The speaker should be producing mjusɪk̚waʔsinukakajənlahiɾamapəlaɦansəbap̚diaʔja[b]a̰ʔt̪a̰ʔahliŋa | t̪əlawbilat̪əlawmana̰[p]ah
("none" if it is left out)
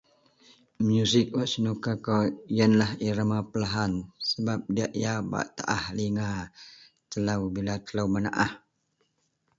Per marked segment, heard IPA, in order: b, ʔ

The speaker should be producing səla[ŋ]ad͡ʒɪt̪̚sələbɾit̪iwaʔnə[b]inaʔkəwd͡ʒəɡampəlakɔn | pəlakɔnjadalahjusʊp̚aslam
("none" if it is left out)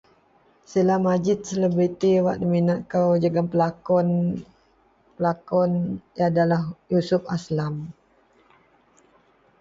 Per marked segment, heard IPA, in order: m, m

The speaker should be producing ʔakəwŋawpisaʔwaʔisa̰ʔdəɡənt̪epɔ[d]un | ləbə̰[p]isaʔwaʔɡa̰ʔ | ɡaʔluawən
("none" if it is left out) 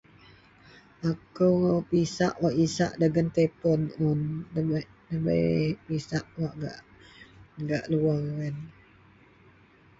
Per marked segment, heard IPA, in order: n, p

